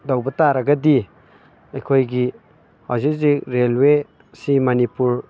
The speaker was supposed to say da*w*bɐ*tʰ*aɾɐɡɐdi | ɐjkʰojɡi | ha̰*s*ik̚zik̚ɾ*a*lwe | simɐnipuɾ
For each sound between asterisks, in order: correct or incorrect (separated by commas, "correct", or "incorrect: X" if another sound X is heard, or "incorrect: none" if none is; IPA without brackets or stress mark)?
correct, incorrect: t, incorrect: z, incorrect: e